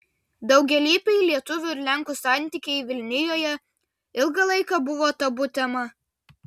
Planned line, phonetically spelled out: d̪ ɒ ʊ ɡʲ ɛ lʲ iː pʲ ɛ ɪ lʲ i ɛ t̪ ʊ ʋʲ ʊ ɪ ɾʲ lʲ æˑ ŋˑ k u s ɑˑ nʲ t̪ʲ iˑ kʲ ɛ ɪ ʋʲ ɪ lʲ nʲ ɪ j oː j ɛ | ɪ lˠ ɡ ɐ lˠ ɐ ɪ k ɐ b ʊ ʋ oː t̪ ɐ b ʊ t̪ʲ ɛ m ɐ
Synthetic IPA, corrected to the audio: d̪ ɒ ʊ ɡʲ ɛ lʲ iː pʲ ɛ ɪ lʲ i ɛ t̪ ʊ ʋʲ ʊ ɪ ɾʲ lʲ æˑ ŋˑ k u s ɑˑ nʲ t̪ʲ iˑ kʲ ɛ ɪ ʋʲ ɪ lʲ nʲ ɪ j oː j ɛ | ɪ lˠ ɡ ɐ lˠ ɐ ɪ k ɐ b ʊ ʋ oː t̪ ɐ b ʊ t̪ʲ ɛ m ɐ